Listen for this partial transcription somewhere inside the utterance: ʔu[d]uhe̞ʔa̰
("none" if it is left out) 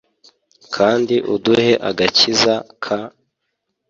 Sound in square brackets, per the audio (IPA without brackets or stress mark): d